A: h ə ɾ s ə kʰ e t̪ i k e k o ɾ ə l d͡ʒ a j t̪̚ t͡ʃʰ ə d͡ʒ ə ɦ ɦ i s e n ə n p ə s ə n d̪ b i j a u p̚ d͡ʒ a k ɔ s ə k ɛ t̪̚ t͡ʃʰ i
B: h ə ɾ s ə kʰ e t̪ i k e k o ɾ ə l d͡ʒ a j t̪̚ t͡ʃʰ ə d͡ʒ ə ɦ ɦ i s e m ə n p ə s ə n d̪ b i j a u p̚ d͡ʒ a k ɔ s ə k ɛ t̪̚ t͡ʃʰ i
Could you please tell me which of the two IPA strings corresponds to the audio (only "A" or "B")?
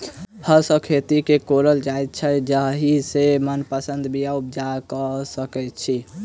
B